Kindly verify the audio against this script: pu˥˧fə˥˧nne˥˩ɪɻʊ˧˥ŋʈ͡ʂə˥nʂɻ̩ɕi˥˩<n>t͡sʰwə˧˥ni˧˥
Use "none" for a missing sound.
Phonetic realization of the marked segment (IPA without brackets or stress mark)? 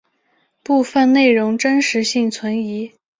ŋ